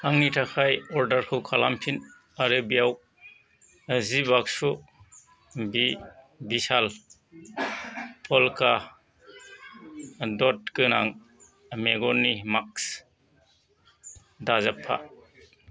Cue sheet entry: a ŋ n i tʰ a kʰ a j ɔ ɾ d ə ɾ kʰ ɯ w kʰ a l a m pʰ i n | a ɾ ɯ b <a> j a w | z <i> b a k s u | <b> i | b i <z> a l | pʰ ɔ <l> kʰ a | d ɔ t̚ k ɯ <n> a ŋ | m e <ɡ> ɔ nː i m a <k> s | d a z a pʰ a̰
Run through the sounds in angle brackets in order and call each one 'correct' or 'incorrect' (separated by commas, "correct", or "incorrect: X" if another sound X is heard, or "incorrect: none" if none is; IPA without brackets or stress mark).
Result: incorrect: i, correct, correct, incorrect: s, correct, correct, correct, correct